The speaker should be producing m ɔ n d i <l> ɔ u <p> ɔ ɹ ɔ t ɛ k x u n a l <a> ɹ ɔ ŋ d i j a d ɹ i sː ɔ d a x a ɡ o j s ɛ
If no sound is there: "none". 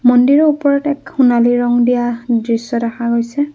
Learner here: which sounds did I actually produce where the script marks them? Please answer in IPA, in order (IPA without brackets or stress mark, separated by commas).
ɹ, p, i